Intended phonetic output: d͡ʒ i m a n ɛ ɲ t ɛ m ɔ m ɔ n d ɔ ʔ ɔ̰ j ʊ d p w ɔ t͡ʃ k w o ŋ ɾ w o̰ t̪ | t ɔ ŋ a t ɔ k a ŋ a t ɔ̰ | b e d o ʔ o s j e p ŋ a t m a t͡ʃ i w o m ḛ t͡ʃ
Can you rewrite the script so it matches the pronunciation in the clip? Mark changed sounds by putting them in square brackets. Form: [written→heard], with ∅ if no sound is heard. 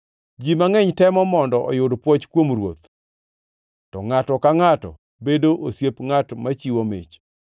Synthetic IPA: d͡ʒ i m a [n→ŋ] ɛ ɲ t ɛ m ɔ m ɔ n d ɔ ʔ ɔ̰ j ʊ d p w ɔ t͡ʃ k w o [ŋ→m] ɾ w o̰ t̪ | t ɔ ŋ a t ɔ k a ŋ a t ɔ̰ | b e d o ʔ o s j e p ŋ a t m a t͡ʃ i w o m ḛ t͡ʃ